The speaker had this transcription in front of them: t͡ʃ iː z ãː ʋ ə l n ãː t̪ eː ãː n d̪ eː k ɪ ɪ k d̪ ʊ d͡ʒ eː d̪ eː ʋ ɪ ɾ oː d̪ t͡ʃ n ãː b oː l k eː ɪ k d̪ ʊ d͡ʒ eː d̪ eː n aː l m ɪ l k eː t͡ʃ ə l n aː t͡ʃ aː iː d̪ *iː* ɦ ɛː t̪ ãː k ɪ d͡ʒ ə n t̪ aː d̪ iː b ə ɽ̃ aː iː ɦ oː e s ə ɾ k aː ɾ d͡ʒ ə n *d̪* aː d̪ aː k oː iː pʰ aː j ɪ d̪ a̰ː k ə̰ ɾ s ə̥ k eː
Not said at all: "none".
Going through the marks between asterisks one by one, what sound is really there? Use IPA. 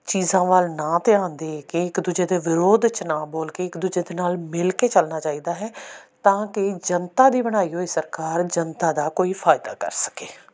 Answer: aː, t̪

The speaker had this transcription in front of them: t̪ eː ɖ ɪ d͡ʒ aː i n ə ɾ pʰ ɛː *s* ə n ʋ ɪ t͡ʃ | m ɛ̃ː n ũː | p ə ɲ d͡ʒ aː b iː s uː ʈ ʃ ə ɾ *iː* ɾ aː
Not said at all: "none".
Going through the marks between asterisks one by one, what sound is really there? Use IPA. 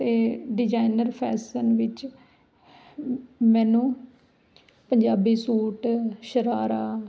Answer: s, aː

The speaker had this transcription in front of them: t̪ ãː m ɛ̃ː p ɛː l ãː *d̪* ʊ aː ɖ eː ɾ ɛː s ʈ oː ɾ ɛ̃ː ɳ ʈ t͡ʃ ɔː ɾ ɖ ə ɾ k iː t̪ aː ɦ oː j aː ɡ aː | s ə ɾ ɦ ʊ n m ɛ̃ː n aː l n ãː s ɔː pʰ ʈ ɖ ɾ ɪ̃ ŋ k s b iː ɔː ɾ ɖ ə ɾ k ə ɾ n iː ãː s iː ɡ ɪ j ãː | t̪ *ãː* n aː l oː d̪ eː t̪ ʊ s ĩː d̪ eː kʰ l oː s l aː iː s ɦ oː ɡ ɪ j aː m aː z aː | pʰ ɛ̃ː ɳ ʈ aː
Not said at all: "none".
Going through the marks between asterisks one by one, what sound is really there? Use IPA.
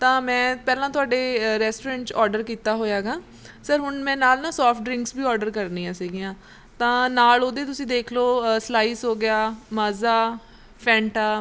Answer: t̪, ãː

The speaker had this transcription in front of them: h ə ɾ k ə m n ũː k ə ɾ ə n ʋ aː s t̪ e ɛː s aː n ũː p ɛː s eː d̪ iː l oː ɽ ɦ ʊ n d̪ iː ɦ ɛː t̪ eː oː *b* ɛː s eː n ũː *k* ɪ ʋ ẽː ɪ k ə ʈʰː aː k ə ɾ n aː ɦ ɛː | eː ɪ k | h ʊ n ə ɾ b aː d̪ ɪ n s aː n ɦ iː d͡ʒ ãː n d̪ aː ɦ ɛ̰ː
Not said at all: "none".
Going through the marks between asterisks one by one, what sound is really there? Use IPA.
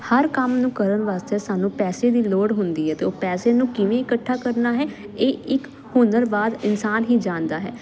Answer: p, k

